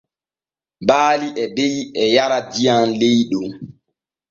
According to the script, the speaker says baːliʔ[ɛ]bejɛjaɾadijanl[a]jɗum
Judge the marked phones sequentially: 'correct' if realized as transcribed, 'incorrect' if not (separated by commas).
correct, incorrect